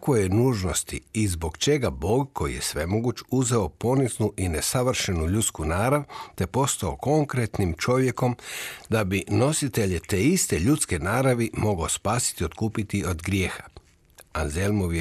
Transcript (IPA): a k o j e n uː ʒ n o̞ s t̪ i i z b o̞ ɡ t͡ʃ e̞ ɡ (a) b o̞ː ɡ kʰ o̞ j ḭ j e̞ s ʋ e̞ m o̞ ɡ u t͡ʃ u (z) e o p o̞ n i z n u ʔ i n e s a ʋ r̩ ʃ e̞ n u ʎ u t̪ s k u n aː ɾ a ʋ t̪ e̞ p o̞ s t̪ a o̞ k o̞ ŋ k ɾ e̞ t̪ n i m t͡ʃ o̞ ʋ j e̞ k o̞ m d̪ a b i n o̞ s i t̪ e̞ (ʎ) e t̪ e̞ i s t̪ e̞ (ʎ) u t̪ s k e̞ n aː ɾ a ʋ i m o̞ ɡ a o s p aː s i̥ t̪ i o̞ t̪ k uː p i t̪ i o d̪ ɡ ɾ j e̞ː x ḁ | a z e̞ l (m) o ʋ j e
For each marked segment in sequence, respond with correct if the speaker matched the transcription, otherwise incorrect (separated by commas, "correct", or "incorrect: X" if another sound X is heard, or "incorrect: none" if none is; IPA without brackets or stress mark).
correct, correct, correct, correct, correct